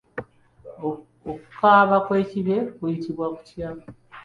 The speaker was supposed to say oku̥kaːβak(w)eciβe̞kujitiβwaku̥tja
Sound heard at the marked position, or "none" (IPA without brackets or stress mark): w